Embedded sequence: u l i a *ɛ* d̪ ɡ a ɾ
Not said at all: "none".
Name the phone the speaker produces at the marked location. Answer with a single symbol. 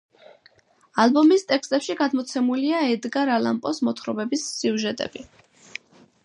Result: ɛ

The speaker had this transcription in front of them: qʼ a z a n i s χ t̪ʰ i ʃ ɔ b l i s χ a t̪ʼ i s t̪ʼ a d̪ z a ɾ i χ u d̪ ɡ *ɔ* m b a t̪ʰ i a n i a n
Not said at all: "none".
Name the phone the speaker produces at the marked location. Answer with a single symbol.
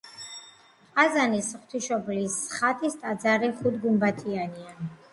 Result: u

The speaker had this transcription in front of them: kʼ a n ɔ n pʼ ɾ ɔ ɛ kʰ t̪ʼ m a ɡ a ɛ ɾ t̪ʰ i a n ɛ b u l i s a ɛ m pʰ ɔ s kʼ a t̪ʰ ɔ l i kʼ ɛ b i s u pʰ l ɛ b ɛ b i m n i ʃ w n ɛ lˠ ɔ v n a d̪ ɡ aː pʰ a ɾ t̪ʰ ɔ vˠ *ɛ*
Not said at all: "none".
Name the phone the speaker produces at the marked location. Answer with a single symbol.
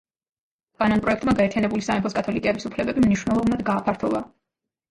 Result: a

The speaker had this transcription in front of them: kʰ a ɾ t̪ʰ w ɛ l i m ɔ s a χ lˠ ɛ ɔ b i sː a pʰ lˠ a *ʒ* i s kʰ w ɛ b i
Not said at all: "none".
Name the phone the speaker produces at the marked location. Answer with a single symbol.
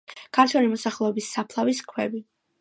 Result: v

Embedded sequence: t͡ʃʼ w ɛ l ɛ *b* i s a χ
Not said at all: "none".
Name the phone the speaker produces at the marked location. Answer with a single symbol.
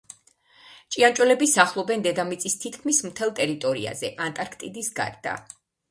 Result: b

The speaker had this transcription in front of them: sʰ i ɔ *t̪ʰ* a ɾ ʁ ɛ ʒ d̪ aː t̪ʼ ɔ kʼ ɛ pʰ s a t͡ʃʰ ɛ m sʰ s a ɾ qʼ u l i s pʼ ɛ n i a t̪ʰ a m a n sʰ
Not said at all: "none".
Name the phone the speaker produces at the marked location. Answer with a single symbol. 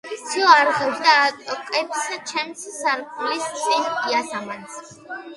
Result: none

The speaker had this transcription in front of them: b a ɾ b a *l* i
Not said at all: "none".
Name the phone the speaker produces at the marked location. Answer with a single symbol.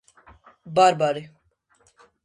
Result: ɾ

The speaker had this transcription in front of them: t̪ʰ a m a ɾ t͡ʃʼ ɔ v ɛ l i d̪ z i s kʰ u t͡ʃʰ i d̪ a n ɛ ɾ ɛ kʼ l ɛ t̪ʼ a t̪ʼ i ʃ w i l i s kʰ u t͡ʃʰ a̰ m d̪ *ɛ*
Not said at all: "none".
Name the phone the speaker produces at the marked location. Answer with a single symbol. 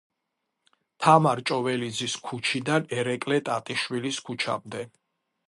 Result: ɛ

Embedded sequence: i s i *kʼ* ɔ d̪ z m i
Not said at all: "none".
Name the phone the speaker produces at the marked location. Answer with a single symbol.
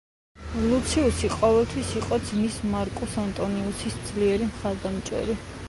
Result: qʼ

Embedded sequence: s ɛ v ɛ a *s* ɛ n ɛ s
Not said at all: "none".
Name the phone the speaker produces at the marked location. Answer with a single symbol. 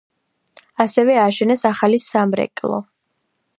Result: ʃ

